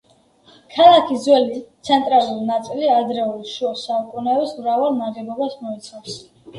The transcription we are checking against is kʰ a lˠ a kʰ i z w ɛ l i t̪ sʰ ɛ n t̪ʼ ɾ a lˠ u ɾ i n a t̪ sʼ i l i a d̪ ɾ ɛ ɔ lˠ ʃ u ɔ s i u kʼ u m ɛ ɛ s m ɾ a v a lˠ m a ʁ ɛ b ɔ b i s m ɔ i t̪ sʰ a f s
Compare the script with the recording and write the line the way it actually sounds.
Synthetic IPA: kʰ a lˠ a kʰ i z w ɛ l i t̪ sʰ ɛ n t̪ʼ ɾ a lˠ u ɾ i n a t̪ sʼ i l i a d̪ ɾ ɛ u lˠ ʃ u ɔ s a u kʼ u n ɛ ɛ s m ɾ a v a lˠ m a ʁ ɛ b ɔ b a s m ɔ i t̪ sʰ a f s